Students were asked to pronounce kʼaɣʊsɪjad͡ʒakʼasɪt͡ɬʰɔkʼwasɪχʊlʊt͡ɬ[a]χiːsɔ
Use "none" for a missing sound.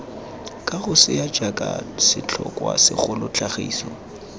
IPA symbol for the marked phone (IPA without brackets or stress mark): a